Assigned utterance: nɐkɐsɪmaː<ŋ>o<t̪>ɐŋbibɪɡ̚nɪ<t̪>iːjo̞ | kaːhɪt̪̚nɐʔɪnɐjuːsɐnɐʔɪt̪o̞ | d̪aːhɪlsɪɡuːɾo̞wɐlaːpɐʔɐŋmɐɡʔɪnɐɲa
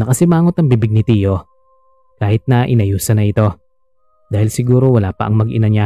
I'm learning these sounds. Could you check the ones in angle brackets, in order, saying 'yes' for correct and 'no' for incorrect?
yes, yes, yes

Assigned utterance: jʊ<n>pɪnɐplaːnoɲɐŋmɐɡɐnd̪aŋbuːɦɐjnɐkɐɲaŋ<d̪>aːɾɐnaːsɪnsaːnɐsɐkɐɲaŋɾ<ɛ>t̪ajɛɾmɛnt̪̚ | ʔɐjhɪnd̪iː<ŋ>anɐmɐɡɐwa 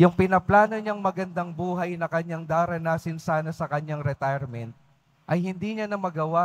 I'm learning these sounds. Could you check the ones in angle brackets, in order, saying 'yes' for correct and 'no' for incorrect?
no, yes, yes, no

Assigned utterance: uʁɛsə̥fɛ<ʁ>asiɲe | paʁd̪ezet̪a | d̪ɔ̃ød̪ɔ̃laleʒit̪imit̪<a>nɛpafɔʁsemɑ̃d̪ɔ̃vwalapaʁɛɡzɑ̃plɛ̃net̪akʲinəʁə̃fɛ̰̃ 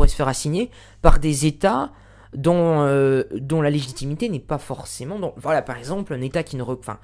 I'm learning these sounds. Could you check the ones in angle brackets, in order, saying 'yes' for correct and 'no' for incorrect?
yes, no

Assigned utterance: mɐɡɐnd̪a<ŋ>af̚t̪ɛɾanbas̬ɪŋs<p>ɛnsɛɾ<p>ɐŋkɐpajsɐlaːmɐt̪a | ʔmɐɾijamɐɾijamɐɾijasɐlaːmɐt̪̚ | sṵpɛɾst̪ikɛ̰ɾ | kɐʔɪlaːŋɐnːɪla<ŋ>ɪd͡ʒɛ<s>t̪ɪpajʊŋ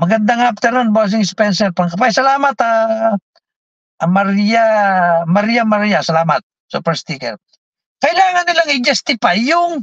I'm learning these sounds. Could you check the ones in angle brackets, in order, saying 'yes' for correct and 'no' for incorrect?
yes, yes, yes, yes, yes

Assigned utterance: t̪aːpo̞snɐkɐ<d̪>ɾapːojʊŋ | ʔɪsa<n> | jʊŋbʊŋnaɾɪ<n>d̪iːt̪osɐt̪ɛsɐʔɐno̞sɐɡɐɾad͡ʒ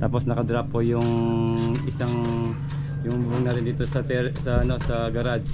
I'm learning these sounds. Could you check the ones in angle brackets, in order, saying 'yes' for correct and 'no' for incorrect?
yes, no, yes

